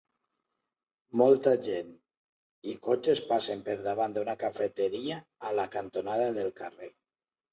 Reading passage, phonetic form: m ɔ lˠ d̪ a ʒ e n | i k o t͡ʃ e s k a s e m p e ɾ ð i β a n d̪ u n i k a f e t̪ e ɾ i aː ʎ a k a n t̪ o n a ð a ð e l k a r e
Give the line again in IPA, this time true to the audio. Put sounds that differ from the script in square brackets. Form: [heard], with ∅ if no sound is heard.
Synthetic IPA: m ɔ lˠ [t̪] a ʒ e n | i k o t͡ʃ e s [p] a s e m p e ɾ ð [a] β a n d̪ u n [a] k a f e t̪ e ɾ i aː [l] a k a n t̪ o n a ð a ð e l k a r e